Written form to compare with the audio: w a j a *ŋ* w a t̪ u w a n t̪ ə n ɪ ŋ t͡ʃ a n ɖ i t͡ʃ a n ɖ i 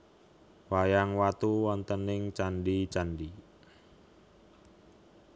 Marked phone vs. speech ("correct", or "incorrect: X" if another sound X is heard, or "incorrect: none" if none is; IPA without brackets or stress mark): correct